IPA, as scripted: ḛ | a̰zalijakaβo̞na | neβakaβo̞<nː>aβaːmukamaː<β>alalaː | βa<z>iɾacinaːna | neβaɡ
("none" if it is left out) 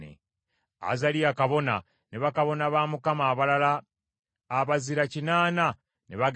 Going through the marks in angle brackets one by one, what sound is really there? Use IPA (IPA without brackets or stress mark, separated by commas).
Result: n, β, z